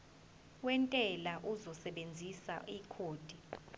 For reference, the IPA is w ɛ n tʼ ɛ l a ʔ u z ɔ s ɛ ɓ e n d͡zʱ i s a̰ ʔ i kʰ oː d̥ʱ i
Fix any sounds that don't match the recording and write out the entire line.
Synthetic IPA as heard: w ɛ n tʼ ɛ l a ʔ u z ɔ s ɛ ɓ e n d͡zʱ i s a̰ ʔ i kʰ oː d̥ʱ i